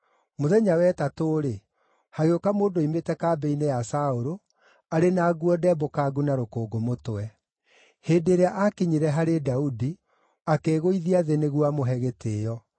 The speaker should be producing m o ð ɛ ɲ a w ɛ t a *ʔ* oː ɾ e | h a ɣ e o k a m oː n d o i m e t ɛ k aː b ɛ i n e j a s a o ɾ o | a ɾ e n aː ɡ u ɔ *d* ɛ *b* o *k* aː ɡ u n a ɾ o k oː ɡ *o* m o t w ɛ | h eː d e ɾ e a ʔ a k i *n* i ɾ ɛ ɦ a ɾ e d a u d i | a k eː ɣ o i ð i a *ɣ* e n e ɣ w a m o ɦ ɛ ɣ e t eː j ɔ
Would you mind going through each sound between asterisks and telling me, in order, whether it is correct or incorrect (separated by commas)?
incorrect, correct, correct, correct, correct, incorrect, incorrect